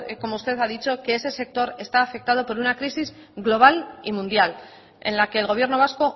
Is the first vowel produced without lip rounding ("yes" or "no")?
no